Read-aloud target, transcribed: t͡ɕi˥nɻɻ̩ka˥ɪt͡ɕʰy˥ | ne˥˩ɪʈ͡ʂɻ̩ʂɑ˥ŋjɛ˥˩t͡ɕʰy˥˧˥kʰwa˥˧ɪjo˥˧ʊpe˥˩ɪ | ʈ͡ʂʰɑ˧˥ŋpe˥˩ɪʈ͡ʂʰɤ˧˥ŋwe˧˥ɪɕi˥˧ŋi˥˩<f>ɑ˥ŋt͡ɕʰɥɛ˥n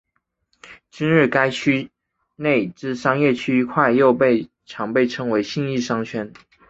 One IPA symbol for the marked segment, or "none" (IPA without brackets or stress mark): ʂ